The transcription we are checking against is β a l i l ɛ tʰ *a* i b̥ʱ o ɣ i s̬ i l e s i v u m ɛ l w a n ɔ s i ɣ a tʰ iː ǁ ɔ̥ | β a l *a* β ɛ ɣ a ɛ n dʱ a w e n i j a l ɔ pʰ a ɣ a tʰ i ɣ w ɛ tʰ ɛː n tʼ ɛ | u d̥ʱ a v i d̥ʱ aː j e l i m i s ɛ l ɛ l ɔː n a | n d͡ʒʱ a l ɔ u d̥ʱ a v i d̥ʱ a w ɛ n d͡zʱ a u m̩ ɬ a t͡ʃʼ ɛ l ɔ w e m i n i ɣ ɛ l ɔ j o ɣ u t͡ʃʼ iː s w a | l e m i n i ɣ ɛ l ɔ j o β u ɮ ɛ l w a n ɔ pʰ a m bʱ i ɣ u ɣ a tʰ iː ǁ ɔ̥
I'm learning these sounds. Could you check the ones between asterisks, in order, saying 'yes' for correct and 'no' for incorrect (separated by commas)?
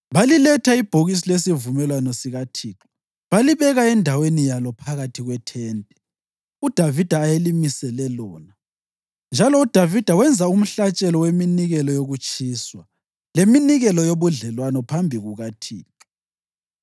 yes, no